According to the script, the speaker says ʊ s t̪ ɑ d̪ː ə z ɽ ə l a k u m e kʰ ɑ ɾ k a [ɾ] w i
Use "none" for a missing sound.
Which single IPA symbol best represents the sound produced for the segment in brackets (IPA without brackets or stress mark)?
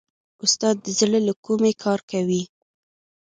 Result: none